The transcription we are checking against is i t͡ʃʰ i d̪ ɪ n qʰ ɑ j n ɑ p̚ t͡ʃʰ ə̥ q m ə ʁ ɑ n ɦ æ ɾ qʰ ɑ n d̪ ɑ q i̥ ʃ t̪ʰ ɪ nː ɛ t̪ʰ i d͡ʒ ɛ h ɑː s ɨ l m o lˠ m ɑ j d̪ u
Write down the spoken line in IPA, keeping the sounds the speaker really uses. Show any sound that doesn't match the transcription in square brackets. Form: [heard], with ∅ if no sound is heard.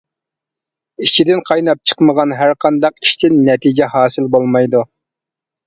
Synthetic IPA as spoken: i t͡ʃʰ i d̪ ɪ n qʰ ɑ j n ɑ p̚ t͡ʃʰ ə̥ q m ə ʁ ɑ n ɦ æ ɾ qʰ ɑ n d̪ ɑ q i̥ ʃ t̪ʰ ɪ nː ɛ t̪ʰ i d͡ʒ ɛ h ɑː s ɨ l [b] o lˠ m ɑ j d̪ u

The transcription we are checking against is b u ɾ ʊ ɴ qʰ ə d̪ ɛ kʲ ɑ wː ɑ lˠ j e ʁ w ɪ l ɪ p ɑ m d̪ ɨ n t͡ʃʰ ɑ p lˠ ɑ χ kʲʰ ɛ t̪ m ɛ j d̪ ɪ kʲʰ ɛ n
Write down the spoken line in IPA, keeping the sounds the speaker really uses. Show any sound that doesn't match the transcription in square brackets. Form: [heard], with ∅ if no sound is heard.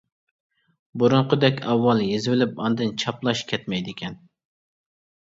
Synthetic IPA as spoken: b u ɾ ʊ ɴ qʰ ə d̪ ɛ kʲ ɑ wː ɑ lˠ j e [z] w ɪ l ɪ p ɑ [n] d̪ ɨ n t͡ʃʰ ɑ p lˠ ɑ [ʃ] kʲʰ ɛ t̪ m ɛ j d̪ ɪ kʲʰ ɛ n

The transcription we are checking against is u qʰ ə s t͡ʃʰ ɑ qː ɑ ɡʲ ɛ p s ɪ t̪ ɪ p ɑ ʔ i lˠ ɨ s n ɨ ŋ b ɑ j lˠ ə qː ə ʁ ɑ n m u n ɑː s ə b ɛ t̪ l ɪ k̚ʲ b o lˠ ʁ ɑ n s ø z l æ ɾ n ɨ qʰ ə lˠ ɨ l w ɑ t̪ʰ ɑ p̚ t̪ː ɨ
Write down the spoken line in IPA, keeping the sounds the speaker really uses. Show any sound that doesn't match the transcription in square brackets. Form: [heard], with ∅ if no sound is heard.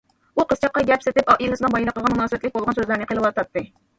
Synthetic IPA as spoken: u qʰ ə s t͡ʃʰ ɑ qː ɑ ɡʲ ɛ p s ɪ t̪ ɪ p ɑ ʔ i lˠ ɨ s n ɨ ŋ b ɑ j lˠ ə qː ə ʁ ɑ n m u n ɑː s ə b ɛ t̪ l ɪ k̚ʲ b o lˠ ʁ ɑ n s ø z l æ ɾ n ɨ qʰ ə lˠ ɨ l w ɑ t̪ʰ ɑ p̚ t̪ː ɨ

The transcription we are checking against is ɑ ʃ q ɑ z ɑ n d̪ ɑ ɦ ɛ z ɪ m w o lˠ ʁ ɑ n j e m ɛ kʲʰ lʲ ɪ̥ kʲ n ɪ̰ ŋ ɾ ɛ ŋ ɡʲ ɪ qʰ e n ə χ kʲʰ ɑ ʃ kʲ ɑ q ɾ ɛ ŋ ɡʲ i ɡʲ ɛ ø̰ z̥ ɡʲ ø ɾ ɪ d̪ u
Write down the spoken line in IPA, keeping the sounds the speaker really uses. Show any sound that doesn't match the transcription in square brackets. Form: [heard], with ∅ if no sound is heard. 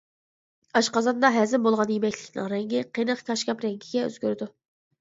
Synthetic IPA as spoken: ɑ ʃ q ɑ z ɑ n d̪ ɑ ɦ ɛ z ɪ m [b] o lˠ ʁ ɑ n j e m ɛ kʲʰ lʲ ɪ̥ kʲ n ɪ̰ ŋ ɾ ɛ ŋ ɡʲ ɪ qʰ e n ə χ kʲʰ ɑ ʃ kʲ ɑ [p] ɾ ɛ ŋ ɡʲ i ɡʲ ɛ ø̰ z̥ ɡʲ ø ɾ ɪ d̪ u

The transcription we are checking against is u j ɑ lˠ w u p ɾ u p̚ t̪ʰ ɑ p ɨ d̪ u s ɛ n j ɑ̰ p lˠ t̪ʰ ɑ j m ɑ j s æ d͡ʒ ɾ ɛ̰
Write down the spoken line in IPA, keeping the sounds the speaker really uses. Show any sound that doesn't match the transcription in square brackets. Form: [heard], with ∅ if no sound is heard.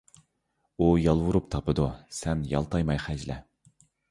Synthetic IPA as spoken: u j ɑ lˠ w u [∅] ɾ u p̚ t̪ʰ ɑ p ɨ d̪ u s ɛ n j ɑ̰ [∅] lˠ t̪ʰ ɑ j m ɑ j [χ] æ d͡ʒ [l] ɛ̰

